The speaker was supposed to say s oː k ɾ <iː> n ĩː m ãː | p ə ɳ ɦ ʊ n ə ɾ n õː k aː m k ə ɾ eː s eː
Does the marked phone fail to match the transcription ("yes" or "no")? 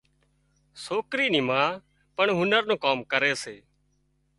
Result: no